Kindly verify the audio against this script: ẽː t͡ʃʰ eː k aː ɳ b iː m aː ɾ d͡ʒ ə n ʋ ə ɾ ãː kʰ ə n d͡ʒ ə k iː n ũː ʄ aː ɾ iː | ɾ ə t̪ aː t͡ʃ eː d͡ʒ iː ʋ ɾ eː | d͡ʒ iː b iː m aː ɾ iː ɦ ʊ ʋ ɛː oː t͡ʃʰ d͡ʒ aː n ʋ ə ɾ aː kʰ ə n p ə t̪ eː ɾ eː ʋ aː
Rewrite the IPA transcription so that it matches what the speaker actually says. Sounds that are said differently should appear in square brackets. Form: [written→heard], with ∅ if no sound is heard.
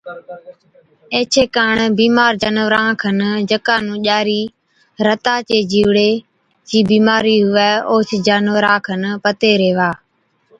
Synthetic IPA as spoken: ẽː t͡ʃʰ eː k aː ɳ b iː m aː ɾ d͡ʒ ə n ʋ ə ɾ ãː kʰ ə n d͡ʒ ə k [iː→aː] n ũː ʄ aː ɾ iː | ɾ ə t̪ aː t͡ʃ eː d͡ʒ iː ʋ [ɾ→ɽ] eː | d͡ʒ iː b iː m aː ɾ iː ɦ ʊ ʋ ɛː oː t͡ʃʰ d͡ʒ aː n ʋ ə ɾ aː kʰ ə n p ə t̪ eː ɾ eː ʋ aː